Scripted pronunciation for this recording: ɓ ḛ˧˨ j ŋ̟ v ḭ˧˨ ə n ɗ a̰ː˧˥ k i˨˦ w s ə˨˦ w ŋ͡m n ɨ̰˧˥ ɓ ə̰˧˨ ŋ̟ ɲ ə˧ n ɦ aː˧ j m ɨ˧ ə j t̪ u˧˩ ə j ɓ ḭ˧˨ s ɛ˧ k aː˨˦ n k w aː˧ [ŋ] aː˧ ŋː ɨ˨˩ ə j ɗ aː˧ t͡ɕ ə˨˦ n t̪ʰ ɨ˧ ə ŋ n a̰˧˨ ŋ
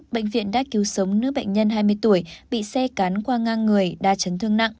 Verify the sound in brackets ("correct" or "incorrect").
correct